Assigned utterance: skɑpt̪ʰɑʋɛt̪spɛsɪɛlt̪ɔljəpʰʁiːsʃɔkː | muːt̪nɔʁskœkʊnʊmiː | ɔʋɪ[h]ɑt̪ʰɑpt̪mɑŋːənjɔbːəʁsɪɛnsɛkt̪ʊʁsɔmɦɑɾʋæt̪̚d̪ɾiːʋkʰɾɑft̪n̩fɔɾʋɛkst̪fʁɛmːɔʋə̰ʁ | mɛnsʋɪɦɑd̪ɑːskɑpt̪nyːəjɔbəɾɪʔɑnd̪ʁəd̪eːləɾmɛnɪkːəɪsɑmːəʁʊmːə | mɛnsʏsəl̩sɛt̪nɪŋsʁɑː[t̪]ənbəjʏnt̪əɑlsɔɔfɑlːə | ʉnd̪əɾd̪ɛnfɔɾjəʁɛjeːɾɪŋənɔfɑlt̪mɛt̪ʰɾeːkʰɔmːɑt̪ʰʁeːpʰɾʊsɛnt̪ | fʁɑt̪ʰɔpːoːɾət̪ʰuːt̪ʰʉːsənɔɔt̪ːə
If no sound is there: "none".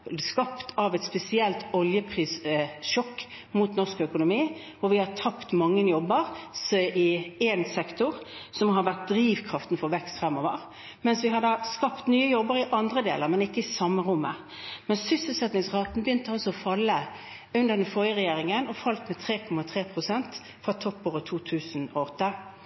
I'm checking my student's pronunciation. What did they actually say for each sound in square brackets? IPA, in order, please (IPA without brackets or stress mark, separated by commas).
h, t̪